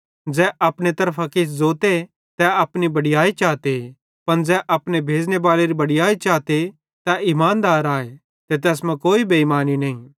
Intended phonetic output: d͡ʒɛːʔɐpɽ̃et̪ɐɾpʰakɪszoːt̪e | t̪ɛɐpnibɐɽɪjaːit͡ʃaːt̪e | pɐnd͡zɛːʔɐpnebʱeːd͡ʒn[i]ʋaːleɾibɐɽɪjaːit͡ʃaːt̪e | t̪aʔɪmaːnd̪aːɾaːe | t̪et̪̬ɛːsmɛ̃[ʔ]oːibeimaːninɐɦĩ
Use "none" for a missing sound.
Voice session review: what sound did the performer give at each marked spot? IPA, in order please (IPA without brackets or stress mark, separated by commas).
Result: e, k